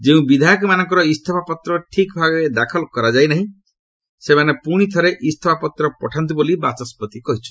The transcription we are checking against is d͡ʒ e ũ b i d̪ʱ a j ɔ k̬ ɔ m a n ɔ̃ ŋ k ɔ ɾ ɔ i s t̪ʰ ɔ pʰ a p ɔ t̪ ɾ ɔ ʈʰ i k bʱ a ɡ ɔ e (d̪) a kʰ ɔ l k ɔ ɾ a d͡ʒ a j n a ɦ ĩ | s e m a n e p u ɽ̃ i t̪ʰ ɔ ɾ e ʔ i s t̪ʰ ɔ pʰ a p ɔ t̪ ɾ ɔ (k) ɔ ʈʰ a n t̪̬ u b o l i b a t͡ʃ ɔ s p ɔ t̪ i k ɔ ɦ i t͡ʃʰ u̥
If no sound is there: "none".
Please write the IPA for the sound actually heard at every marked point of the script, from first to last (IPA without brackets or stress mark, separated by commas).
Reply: d̪, p